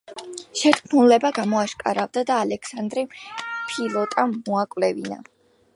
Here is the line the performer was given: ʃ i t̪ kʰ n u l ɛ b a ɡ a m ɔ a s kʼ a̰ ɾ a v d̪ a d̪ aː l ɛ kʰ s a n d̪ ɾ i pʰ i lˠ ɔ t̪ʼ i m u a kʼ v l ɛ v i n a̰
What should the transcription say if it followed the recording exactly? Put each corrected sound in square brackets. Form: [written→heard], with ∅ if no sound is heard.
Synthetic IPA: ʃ [i→ɛ] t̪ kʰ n u l ɛ b a ɡ a m ɔ a [s→ʃ] kʼ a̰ ɾ a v d̪ a d̪ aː l ɛ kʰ s a n d̪ ɾ i pʰ i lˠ ɔ t̪ʼ [i→a] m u a kʼ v l ɛ v i n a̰